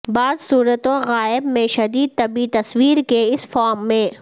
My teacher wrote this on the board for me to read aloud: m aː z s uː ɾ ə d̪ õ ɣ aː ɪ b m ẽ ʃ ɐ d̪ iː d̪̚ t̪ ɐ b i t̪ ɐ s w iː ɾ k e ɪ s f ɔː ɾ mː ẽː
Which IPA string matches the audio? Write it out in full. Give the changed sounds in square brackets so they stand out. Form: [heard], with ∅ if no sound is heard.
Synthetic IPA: [b] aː z s uː ɾ ə [t̪] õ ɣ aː ɪ b m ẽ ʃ ɐ d̪ iː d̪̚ t̪ ɐ b i t̪ ɐ s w iː ɾ k e ɪ s f ɔː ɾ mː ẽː

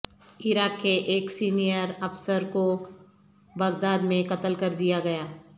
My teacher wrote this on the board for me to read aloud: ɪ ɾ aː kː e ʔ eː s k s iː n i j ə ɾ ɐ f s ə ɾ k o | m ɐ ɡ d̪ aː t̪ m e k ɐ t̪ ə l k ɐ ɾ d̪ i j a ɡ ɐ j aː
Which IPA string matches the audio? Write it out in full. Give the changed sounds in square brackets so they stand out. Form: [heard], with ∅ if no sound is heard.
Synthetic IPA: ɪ ɾ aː kː e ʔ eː [∅] k s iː n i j ə ɾ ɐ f s ə ɾ k o | [b] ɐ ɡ d̪ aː [d̪] m [ẽ] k ɐ t̪ ə l k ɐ ɾ d̪ i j a ɡ ɐ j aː

